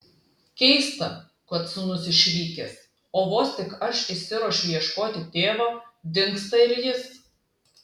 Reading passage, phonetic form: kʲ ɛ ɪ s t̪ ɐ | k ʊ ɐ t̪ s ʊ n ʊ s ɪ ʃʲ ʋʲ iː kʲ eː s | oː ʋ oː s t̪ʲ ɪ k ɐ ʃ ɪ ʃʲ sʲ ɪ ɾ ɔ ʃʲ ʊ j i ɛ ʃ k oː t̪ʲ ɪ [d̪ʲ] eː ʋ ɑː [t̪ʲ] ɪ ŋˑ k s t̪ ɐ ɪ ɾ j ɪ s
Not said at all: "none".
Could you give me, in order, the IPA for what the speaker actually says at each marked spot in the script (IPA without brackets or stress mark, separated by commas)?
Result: t̪ʲ, d̪ʲ